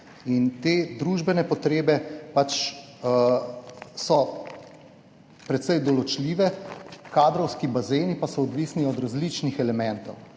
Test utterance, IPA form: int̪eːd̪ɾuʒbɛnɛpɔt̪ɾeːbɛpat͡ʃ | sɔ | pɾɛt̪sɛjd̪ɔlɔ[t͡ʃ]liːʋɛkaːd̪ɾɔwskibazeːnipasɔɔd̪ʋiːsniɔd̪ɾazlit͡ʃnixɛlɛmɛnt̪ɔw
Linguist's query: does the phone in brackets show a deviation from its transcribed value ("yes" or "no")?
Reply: no